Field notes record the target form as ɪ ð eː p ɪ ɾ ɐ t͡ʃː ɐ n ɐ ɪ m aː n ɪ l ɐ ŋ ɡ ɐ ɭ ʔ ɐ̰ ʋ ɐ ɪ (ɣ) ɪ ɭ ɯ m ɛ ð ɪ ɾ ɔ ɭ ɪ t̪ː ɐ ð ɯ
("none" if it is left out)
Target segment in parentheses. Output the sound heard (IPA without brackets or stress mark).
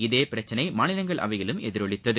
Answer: ɣ